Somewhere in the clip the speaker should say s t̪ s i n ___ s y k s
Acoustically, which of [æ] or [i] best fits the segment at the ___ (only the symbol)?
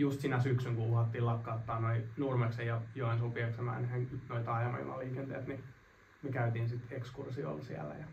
æ